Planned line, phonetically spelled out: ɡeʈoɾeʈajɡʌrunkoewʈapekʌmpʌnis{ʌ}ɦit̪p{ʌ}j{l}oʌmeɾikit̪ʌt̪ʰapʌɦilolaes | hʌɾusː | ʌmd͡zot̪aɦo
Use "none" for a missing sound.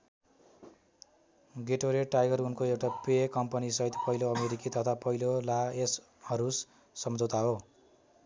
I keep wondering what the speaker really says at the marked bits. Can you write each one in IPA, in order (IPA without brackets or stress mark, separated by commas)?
ʌ, ʌ, l